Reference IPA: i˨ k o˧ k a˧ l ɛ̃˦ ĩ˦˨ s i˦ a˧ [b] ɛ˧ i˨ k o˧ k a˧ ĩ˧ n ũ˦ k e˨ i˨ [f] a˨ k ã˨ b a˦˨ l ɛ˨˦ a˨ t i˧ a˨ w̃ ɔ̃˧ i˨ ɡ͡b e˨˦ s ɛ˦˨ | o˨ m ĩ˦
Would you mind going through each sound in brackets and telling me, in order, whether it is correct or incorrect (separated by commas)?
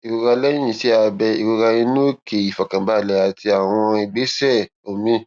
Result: correct, correct